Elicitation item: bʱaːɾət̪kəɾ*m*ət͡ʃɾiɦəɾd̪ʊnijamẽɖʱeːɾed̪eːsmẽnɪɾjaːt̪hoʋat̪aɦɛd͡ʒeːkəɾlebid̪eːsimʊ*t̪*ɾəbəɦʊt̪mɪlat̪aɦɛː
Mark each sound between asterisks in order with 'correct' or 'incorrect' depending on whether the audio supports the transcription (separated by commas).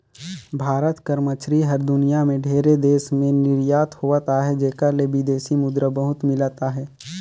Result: correct, incorrect